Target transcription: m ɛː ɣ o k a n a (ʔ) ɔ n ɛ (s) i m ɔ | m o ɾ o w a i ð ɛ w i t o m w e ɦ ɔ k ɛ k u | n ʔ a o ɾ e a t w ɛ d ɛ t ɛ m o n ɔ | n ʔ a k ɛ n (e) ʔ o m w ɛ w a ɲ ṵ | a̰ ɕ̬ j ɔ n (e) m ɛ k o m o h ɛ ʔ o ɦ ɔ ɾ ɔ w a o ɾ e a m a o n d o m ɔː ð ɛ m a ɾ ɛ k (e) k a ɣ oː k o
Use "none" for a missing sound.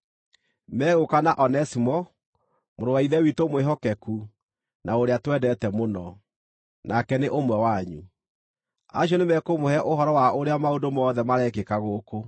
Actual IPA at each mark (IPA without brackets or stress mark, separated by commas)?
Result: ʔ, s, e, e, e